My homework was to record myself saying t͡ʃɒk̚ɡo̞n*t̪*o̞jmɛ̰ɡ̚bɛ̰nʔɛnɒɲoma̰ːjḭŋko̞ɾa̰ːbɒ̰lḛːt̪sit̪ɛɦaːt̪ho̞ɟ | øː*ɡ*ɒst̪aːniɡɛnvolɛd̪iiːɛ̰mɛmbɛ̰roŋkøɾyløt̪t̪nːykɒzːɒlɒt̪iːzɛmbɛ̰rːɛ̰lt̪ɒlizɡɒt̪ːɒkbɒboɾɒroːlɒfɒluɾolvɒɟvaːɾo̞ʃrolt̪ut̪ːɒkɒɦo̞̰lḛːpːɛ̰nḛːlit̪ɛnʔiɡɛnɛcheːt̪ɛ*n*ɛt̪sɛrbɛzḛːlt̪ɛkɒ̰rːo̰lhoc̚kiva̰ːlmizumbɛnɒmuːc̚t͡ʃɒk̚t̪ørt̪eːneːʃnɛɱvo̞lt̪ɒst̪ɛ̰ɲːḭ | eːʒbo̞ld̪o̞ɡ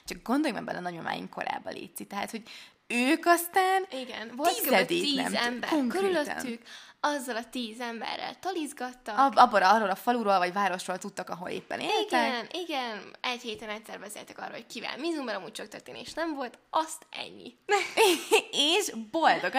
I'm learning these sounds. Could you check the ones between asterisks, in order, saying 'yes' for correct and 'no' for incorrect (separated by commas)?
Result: no, no, yes